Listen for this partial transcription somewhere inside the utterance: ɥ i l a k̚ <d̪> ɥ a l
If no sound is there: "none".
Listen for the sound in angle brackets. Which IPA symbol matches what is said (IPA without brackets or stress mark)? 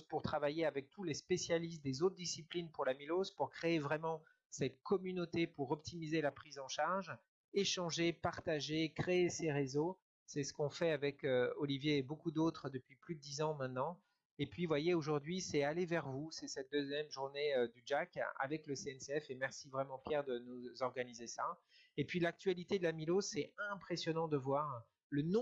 t̪